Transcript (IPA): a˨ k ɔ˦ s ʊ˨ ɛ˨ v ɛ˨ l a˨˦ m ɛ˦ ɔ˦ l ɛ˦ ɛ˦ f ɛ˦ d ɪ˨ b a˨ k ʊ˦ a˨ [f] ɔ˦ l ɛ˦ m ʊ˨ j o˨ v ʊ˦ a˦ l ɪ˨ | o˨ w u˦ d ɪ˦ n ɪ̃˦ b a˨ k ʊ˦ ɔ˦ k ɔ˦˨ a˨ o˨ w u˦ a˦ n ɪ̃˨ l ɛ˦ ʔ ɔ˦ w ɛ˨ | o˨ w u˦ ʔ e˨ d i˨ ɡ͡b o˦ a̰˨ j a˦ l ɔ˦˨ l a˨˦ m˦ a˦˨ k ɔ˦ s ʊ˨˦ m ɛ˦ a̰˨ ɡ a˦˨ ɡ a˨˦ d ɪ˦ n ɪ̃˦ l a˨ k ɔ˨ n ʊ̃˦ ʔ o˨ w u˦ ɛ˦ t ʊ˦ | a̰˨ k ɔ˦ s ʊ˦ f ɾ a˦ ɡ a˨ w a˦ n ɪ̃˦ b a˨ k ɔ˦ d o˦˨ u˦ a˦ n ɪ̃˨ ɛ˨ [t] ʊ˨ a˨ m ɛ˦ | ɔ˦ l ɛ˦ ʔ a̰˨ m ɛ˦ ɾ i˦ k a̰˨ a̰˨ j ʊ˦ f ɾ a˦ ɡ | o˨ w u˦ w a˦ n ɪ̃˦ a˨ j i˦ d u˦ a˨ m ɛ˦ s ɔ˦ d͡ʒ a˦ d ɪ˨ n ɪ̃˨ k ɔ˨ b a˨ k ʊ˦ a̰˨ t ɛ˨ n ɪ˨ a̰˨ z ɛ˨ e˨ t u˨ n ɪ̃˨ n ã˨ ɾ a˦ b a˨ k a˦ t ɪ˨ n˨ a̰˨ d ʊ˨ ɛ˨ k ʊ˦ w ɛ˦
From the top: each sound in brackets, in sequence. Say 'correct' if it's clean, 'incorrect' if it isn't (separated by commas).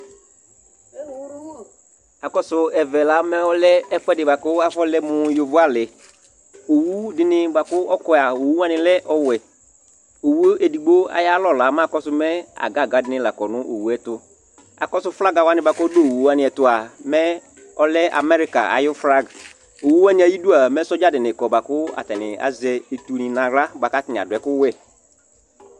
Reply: correct, correct